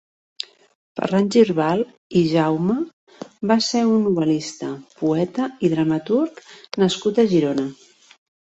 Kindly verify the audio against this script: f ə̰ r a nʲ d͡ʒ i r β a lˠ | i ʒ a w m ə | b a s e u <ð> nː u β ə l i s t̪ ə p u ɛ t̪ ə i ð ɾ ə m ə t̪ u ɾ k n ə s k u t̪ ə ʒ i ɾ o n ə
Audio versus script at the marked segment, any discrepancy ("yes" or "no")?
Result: yes